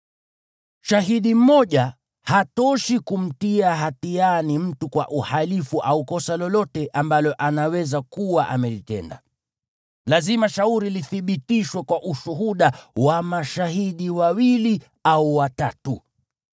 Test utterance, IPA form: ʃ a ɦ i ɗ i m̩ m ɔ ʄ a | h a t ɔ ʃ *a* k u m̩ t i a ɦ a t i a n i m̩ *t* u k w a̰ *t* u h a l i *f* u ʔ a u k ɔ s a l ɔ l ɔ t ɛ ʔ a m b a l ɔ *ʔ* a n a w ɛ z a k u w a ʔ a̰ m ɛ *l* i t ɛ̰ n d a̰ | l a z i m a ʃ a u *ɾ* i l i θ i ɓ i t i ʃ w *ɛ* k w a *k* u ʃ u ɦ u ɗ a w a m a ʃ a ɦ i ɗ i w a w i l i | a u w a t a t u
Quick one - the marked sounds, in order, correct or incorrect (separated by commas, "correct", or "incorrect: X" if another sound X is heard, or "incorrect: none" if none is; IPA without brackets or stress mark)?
incorrect: i, correct, incorrect: ʔ, correct, correct, correct, correct, correct, incorrect: ʔ